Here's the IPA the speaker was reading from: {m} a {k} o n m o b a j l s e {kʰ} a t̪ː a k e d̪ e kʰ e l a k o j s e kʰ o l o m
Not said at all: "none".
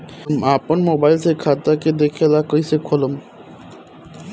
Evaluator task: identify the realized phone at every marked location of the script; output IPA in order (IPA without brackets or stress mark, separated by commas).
m, p, kʰ